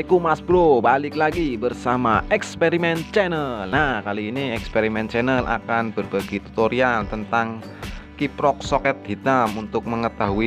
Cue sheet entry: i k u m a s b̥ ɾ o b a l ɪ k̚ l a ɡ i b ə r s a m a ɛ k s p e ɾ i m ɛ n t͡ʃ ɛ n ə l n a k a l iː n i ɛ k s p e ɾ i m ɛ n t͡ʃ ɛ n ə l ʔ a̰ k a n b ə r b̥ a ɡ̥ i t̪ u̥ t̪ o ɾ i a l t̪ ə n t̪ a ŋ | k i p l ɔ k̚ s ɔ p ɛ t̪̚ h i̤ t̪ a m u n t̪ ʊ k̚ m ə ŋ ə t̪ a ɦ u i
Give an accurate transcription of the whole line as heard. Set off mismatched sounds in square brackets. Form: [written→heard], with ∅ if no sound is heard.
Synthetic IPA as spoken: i k u m a s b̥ ɾ o b a l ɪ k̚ l a ɡ i b ə r s a m a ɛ k s p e ɾ i m ɛ n t͡ʃ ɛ n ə l n a k a l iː n i ɛ k s p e ɾ i m ɛ n t͡ʃ ɛ n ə l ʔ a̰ k a n b ə r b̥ a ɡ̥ i t̪ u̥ t̪ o ɾ i a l t̪ ə n t̪ a ŋ | k i p [l→ɾ] ɔ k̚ s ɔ [p→k] ɛ t̪̚ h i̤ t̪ a m u n t̪ ʊ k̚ m ə ŋ ə t̪ a ɦ u i